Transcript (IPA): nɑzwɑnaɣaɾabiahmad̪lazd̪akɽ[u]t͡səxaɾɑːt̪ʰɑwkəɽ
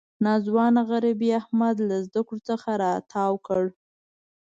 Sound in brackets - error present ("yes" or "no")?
yes